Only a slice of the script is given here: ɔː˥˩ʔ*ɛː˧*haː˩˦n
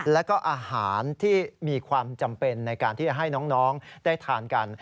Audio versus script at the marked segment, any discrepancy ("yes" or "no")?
yes